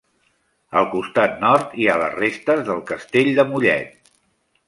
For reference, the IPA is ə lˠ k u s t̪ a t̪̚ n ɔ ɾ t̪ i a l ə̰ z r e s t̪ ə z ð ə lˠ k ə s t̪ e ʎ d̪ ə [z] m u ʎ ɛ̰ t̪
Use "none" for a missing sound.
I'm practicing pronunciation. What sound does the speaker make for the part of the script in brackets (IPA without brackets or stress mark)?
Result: none